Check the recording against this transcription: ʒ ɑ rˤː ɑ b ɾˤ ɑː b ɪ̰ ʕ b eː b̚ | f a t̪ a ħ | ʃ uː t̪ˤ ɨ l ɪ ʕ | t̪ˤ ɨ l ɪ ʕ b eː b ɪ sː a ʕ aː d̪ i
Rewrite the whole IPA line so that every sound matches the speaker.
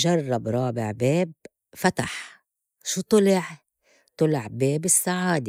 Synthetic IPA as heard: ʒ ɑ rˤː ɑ b ɾˤ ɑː b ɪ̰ ʕ b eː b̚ | f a t̪ a ħ | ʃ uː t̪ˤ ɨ l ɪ ʕ | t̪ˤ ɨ l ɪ ʕ b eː b ɪ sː a ʕ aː d̪ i